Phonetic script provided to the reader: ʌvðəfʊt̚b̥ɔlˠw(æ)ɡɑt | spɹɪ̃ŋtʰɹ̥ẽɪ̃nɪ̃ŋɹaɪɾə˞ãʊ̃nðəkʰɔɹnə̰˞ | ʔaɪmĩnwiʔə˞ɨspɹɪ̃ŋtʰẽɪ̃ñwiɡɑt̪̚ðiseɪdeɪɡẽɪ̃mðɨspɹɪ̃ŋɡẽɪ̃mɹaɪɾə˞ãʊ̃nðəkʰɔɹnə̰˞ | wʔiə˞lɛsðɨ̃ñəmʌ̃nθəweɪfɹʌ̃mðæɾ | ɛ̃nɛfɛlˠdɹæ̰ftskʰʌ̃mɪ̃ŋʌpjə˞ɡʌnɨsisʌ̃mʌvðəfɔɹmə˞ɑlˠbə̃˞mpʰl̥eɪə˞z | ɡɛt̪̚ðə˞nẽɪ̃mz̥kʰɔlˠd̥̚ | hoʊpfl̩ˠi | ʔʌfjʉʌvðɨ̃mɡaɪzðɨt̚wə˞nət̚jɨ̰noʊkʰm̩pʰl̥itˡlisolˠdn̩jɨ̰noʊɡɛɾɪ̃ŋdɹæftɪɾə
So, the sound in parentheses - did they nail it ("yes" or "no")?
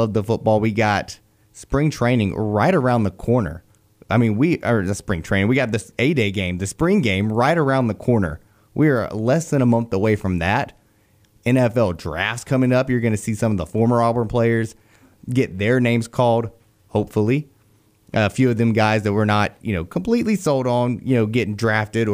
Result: no